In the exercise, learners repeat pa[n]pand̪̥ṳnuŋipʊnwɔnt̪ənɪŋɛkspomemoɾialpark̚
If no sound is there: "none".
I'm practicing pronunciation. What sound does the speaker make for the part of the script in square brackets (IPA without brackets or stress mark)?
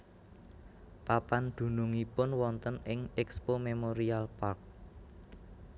none